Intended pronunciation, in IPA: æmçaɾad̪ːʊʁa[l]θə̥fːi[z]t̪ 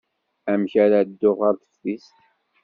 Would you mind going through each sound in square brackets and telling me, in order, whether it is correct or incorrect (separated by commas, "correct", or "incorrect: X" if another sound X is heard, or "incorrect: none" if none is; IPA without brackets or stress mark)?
incorrect: ɾ, incorrect: s